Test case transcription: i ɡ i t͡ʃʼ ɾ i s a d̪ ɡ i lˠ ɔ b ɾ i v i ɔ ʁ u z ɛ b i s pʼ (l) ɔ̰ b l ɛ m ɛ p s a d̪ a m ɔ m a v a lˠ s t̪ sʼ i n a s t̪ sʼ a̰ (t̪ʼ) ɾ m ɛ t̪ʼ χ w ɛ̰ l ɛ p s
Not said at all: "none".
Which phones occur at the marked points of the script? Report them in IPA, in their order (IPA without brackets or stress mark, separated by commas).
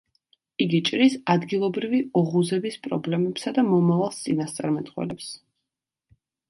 ɾ, none